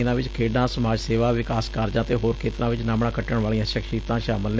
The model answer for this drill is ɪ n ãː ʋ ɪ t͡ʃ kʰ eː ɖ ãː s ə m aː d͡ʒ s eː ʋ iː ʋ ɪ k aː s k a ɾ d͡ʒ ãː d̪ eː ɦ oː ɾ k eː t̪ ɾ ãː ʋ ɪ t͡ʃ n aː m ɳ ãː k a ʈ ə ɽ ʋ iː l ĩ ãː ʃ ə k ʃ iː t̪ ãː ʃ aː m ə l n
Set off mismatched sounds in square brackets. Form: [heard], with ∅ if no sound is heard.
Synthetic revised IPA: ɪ n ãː ʋ ɪ t͡ʃ kʰ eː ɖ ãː s ə m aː d͡ʒ s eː ʋ [aː] ʋ ɪ k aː s k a ɾ d͡ʒ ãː [t̪] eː ɦ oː ɾ [kʰ] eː t̪ ɾ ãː ʋ ɪ t͡ʃ n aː m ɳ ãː k [ə] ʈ ə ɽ ʋ [aː] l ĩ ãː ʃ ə k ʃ iː t̪ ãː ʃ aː m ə l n